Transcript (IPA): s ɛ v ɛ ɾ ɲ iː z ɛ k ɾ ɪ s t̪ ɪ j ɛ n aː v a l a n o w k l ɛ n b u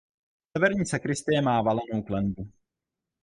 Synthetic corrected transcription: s ɛ v ɛ ɾ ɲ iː s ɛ k ɾ ɪ s t̪ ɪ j ɛ m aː v a l ɛ n o w k l ɛ n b u